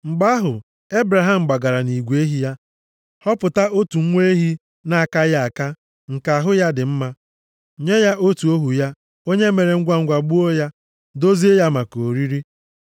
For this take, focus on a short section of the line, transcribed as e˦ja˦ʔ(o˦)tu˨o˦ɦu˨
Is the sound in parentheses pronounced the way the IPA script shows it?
yes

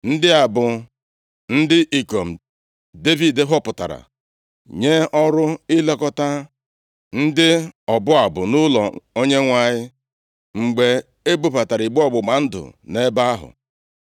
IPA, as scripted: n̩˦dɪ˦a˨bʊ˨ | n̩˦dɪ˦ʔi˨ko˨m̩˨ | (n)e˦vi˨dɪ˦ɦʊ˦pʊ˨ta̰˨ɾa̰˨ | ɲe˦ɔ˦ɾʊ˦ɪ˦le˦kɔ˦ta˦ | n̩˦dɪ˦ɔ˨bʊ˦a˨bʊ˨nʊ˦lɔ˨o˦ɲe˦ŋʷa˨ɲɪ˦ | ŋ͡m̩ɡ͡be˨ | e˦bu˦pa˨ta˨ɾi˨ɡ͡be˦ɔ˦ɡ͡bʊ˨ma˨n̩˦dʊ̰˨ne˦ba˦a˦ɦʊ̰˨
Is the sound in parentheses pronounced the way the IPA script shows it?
no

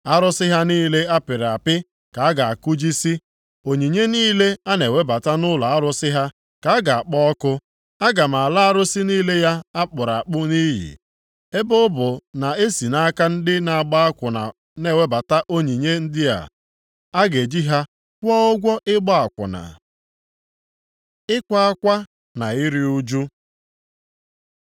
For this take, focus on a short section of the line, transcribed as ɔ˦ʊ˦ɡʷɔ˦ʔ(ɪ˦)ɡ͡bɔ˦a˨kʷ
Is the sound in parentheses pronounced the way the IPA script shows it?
yes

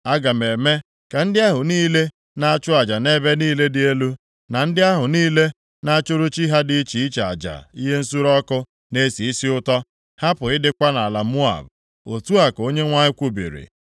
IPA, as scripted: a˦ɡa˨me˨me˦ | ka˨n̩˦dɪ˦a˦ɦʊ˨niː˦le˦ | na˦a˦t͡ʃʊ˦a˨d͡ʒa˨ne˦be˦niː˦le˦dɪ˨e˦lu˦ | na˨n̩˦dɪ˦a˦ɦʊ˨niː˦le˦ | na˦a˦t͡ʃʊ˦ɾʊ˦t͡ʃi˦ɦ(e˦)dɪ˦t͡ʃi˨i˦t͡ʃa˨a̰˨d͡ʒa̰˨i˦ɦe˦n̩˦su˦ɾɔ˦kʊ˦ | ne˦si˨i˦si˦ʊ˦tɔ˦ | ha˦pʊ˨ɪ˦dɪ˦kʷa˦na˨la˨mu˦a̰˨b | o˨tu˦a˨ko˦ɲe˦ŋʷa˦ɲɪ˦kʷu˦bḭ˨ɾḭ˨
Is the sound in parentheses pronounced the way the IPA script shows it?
no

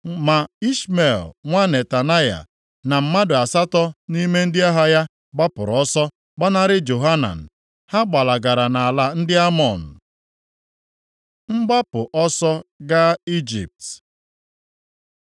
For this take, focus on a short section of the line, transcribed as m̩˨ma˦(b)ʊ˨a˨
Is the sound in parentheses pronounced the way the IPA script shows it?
no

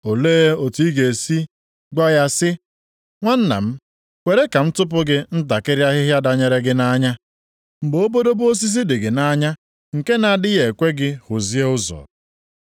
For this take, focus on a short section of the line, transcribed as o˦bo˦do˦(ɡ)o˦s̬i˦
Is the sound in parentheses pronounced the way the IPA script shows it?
no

